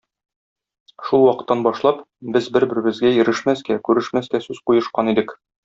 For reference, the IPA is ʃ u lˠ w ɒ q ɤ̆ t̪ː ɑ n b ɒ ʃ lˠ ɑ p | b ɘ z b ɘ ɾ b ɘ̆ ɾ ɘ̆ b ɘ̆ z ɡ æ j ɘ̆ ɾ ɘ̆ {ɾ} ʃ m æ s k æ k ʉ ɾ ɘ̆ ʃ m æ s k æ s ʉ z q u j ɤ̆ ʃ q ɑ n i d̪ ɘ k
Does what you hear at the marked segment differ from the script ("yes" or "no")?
yes